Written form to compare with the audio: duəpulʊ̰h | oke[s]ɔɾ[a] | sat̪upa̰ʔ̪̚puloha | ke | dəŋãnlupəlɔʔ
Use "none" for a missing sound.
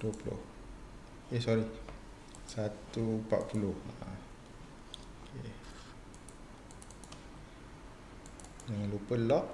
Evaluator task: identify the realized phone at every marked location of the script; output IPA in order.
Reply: s, i

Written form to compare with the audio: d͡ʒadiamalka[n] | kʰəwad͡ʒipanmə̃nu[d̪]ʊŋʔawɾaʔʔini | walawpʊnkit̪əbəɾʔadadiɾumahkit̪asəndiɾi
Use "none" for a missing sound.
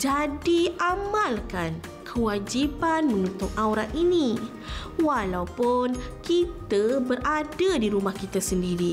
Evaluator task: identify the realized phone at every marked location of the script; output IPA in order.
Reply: n, t̪

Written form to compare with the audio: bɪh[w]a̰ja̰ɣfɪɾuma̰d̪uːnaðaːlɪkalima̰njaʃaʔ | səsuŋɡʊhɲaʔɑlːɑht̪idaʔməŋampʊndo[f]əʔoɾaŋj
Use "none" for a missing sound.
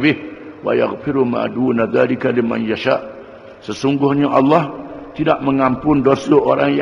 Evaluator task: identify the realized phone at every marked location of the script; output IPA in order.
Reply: w, s

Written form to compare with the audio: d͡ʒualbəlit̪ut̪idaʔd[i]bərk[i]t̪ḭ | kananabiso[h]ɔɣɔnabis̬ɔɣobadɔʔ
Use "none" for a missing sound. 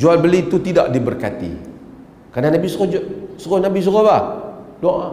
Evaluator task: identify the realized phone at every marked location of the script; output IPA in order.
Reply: i, a, s

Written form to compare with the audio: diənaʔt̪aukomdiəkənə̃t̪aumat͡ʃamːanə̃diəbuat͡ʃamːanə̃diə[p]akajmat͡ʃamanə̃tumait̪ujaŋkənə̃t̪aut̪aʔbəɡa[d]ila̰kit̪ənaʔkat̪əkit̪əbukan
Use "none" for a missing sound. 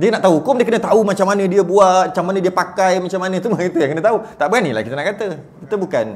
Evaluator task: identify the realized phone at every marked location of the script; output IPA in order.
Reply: p, n

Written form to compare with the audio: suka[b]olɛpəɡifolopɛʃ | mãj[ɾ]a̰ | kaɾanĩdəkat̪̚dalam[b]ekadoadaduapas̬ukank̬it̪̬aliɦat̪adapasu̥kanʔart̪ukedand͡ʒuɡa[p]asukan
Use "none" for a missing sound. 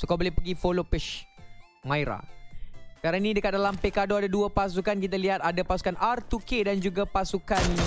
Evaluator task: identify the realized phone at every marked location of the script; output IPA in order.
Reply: b, ɾ, p, p

